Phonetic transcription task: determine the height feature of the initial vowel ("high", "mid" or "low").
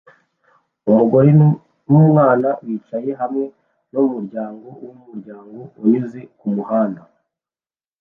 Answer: high